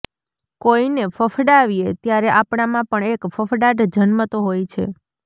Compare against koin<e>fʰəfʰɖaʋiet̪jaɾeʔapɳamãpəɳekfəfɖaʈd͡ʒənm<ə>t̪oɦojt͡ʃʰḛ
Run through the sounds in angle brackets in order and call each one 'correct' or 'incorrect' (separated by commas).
correct, correct